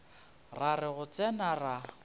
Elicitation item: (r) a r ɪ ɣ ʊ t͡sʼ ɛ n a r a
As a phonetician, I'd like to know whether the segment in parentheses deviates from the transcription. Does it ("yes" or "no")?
no